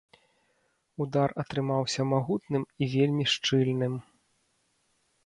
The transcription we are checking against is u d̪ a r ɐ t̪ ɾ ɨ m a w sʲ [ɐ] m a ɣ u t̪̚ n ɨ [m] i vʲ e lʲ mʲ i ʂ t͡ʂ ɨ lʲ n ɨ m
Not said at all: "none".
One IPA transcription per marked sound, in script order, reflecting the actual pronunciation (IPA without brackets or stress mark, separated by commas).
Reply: ɐ, m